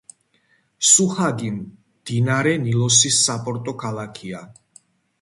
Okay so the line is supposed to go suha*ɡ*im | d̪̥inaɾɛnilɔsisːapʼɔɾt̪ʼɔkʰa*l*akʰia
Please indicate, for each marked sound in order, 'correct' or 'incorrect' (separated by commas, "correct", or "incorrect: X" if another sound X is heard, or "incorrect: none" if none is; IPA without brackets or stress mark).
correct, correct